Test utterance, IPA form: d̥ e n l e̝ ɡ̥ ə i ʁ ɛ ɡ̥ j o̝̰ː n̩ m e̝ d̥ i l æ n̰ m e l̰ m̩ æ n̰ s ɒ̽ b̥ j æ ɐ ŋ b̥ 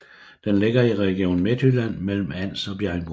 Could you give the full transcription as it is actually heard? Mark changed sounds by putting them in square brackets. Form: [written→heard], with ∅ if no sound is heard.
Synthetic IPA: d̥ e n l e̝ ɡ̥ [ə→ɐ] i ʁ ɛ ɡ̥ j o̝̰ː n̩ m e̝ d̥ [i→y] l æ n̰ m e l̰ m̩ æ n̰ s ɒ̽ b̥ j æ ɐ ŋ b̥